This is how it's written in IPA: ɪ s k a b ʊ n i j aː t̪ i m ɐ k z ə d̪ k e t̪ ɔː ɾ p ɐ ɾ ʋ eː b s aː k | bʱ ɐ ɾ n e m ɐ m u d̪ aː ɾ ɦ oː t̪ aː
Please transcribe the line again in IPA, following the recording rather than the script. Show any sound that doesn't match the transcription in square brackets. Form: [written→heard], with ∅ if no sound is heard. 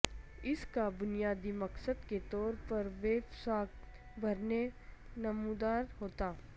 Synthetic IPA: ɪ s k a b ʊ n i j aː [t̪→d̪] i m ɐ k [z→s] ə d̪ k e t̪ ɔː ɾ p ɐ ɾ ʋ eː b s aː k | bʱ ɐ ɾ n e [m→n] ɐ m u d̪ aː ɾ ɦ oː t̪ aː